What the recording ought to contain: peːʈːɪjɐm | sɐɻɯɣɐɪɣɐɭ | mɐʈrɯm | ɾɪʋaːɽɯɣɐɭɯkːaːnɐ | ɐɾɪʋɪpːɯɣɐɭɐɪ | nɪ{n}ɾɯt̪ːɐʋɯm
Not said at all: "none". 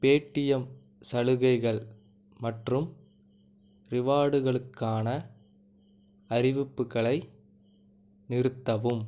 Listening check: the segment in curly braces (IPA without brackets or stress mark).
none